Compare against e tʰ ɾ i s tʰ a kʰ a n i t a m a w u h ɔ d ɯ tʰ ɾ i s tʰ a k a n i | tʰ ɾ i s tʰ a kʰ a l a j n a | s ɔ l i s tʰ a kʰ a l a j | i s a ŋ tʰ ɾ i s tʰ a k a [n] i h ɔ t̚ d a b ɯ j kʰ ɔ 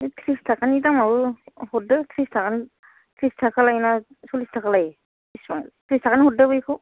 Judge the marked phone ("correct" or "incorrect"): correct